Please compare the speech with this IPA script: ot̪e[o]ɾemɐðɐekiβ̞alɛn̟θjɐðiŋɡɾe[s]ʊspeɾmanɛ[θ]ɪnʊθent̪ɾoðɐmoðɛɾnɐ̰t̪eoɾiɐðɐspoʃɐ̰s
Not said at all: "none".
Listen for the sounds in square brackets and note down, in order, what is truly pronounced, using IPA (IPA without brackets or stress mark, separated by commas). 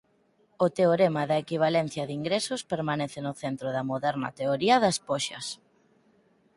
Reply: o, s, θ